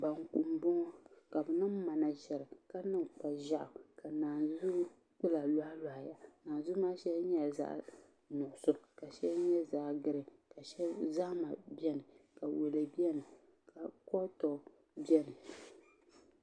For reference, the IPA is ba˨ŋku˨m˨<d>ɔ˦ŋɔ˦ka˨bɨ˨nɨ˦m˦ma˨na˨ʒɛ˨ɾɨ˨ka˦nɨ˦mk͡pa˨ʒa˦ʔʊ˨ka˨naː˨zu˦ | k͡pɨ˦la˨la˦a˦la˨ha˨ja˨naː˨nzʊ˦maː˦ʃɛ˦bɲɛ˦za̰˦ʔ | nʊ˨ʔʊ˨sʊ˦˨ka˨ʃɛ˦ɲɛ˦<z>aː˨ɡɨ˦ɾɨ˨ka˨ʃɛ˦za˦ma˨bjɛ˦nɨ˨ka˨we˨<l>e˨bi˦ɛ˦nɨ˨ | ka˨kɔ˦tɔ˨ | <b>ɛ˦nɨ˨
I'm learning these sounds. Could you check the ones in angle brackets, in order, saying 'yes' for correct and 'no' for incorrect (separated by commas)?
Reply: no, yes, yes, yes